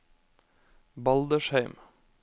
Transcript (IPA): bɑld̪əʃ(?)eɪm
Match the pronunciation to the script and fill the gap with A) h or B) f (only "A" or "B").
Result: A